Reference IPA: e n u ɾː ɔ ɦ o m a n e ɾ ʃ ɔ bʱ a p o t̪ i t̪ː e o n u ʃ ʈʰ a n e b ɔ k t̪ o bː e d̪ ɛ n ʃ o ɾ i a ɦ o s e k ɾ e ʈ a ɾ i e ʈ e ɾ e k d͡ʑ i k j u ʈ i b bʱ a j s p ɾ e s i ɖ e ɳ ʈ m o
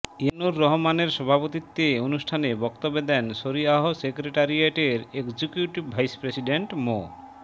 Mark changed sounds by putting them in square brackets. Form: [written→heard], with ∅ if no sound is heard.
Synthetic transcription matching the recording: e n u ɾː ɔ ɦ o m a n e ɾ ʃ ɔ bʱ a p o t̪ i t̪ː e o n u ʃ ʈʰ a n e b ɔ k t̪ o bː e d̪ ɛ n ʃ o ɾ i a ɦ o s e k ɾ e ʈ a ɾ i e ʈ e ɾ e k d͡ʑ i k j u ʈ i b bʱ a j s p ɾ e s i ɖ e ɳ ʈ m o